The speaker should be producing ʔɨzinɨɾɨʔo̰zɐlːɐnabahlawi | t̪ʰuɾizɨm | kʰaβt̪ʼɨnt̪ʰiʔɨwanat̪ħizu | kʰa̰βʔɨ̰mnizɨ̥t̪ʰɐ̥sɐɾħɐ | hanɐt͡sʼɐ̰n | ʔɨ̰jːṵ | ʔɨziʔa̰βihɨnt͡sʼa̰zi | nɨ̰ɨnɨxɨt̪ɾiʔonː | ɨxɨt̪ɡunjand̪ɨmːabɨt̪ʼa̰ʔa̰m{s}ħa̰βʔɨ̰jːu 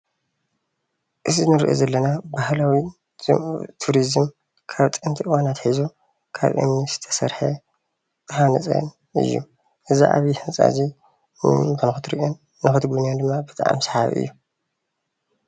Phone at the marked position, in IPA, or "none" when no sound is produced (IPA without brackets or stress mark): s